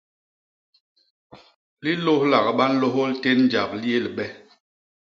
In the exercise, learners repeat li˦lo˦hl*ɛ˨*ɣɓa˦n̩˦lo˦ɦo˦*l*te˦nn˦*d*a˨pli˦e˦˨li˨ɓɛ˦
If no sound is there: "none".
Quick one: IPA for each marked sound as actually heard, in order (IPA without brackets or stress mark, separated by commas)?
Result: a˨, l, d͡ʒ